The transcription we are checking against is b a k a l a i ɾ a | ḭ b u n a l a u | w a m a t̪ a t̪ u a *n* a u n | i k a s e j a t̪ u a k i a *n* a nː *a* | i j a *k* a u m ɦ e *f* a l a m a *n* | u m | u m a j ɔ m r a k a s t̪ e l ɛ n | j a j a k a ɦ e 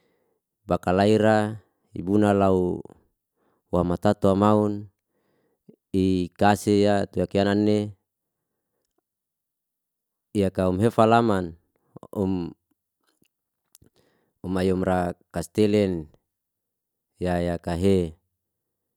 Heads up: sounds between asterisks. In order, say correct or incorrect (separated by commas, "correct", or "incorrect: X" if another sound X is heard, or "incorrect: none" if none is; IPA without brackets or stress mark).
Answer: incorrect: m, correct, incorrect: e, correct, correct, correct